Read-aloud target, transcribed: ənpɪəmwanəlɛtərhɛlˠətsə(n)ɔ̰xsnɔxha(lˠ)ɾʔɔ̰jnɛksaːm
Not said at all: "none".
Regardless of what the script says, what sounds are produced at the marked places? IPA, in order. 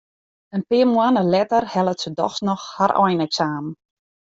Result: d, none

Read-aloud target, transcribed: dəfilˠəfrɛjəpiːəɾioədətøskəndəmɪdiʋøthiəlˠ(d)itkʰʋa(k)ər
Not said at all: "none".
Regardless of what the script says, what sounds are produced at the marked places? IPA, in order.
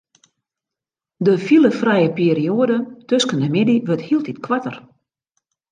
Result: t, t

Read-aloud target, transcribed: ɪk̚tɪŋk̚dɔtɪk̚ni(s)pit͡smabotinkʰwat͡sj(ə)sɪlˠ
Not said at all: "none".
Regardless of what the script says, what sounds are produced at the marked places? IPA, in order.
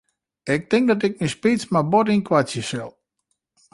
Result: s, ə

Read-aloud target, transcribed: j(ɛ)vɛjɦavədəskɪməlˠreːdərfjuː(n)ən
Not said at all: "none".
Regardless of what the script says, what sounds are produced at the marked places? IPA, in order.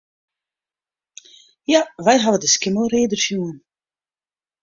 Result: a, none

